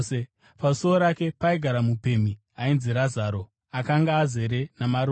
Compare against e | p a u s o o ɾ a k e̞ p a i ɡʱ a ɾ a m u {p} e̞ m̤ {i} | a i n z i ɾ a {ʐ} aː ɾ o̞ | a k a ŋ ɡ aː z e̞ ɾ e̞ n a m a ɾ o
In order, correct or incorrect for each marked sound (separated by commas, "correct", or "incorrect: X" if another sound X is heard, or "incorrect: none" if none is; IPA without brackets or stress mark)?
correct, correct, incorrect: z